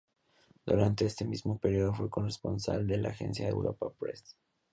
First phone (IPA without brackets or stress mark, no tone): d̪